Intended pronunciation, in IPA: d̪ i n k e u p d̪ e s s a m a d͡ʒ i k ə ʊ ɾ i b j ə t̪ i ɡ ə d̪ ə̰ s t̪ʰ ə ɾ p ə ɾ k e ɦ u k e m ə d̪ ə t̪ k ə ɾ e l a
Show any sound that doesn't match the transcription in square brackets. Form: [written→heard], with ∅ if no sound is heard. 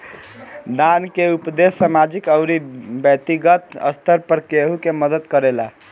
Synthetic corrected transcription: d̪ [i→a] n k e u p d̪ e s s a m a d͡ʒ i k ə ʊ ɾ i b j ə t̪ i ɡ ə [d̪→t̪] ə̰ s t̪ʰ ə ɾ p ə ɾ k e ɦ u k e m ə d̪ ə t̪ k ə ɾ e l a